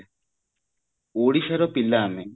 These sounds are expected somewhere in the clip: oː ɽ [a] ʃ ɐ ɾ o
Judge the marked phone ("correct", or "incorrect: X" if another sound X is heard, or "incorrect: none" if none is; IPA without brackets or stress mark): incorrect: i